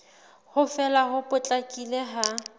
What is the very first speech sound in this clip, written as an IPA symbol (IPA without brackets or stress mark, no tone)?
h